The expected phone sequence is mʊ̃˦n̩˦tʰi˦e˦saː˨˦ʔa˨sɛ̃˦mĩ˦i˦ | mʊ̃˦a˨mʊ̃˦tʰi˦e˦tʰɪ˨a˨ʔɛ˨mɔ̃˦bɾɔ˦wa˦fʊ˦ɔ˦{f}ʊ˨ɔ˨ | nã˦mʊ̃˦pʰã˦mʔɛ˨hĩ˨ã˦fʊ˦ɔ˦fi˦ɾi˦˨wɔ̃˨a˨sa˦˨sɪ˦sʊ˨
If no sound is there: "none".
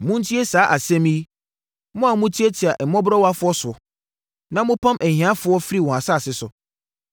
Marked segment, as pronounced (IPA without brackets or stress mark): s